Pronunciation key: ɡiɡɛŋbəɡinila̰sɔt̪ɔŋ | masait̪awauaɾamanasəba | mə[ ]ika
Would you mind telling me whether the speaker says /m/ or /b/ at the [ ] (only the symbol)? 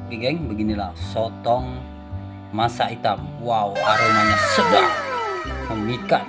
m